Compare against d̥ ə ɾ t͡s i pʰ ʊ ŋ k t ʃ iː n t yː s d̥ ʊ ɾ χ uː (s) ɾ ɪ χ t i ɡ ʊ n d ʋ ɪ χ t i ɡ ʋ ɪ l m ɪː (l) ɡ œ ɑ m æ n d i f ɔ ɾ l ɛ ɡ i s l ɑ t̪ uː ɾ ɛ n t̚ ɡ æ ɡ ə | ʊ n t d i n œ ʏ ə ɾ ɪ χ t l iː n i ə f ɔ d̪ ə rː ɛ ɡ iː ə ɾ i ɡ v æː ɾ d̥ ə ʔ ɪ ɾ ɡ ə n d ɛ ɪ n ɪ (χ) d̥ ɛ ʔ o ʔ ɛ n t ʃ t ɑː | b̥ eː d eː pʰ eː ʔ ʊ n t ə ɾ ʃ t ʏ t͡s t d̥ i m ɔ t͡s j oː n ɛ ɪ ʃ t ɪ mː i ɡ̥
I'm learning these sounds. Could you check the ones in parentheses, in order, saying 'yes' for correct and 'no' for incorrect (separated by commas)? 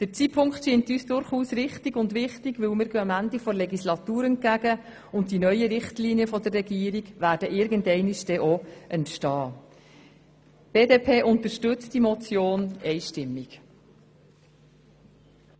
yes, no, no